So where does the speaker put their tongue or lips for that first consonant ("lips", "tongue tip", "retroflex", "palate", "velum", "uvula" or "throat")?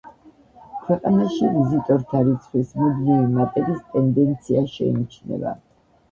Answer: velum